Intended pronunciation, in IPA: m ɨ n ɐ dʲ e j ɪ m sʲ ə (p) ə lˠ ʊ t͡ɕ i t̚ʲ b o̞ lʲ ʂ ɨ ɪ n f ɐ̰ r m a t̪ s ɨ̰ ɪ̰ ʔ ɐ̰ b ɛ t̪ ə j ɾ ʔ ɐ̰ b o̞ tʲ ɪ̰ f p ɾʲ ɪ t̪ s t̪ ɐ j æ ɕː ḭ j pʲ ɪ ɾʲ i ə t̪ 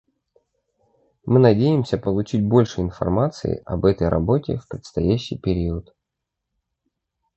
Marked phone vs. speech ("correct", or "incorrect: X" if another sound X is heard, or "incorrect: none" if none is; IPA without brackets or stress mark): correct